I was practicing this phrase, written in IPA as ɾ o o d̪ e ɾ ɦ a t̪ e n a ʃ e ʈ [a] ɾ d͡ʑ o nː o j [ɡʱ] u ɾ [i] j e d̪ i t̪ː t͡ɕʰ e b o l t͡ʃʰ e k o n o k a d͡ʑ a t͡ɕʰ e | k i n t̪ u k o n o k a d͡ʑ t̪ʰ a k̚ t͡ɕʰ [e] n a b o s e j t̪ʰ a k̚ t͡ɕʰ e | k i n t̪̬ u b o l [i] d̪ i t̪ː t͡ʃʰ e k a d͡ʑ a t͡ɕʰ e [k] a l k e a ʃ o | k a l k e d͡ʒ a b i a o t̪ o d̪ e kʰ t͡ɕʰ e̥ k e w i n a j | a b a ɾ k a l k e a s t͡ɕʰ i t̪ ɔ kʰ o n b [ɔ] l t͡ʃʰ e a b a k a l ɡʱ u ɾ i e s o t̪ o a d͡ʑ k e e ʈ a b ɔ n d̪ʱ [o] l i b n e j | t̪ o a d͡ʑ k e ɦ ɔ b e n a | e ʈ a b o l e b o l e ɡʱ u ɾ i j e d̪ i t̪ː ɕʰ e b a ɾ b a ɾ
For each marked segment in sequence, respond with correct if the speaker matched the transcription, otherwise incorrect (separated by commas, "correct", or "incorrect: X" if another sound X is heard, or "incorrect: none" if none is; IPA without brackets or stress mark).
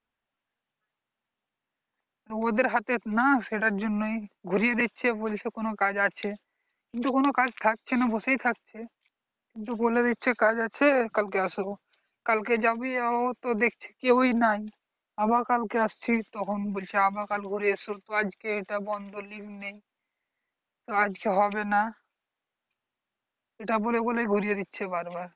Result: correct, correct, correct, correct, incorrect: e, correct, incorrect: o, correct